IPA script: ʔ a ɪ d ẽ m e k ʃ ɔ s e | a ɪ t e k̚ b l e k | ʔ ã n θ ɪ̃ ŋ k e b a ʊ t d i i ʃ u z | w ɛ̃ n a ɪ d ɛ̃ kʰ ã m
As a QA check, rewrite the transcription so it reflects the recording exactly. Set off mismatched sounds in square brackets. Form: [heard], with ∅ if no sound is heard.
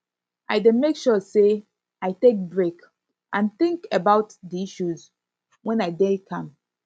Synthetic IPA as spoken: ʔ a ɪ d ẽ m e k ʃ ɔ s e | a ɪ t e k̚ b [ɹ] e k | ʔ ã n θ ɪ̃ ŋ k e b a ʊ t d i i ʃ u z | w ɛ̃ n a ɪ d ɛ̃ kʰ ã m